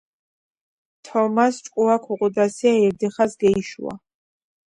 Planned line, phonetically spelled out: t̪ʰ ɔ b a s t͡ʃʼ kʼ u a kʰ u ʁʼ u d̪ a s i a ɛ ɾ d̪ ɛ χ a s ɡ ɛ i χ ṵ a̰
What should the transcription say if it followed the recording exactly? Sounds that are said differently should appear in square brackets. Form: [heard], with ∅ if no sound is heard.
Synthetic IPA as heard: t̪ʰ ɔ [m] a s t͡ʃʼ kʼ u a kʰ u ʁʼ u d̪ a s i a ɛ ɾ d̪ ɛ χ a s ɡ ɛ i [ʃ] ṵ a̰